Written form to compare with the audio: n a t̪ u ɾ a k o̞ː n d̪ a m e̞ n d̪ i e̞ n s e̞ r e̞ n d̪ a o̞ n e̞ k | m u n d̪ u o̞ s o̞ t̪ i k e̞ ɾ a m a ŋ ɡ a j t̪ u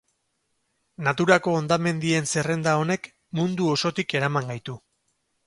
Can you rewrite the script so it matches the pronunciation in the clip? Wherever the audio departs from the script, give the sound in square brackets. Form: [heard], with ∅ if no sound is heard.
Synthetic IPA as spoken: n a t̪ u ɾ a k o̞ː n d̪ a m e̞ n d̪ i e̞ n s e̞ r e̞ n d̪ a o̞ n e̞ k | m u n d̪ u o̞ s o̞ t̪ i k e̞ ɾ a m a ŋ ɡ a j t̪ u